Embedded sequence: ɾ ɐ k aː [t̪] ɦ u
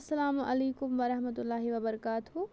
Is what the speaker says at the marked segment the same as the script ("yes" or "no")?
yes